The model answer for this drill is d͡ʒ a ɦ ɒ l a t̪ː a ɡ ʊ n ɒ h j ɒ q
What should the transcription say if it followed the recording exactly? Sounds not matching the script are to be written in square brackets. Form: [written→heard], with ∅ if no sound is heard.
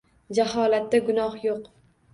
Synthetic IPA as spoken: d͡ʒ a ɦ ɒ l a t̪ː a ɡ ʊ n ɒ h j [ɒ→o] q